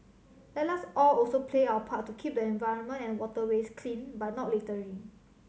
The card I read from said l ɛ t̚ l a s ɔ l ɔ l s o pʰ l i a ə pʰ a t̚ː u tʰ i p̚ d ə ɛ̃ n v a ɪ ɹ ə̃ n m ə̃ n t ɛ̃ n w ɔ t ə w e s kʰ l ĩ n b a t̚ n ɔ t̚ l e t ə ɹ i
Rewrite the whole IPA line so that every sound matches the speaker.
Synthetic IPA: l ɛ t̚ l a s ɔ l ɔ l s o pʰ l e a ə pʰ a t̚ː u kʰ i p̚ d ə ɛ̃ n v a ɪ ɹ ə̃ n m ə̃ n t ɛ̃ n w ɔ t ə w e s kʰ l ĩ n b a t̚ n ɔ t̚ l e t ə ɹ i